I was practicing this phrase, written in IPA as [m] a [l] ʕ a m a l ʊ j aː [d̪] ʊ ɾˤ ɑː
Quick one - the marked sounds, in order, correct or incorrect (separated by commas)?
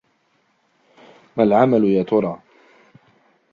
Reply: correct, correct, incorrect